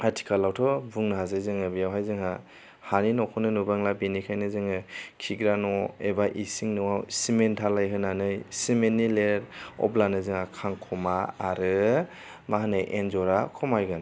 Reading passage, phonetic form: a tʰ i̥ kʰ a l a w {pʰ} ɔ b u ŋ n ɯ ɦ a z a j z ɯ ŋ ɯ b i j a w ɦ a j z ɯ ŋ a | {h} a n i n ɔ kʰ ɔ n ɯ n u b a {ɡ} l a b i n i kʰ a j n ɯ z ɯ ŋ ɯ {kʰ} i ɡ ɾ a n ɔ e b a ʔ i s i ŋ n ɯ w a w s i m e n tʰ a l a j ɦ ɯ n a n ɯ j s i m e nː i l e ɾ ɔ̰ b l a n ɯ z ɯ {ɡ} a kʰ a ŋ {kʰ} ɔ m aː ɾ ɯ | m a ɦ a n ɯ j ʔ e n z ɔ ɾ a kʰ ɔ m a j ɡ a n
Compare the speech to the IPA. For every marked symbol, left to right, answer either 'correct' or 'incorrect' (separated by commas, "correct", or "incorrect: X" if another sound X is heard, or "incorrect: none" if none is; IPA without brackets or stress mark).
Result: incorrect: tʰ, correct, incorrect: ŋ, correct, incorrect: ŋ, correct